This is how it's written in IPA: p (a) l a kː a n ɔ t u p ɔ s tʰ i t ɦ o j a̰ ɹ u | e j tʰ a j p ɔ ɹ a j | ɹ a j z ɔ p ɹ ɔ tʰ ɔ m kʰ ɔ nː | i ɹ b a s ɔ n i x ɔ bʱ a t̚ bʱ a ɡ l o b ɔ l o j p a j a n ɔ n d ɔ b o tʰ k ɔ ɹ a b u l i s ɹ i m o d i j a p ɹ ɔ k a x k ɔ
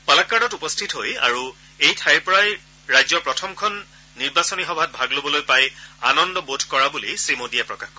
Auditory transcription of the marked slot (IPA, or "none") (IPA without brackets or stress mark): a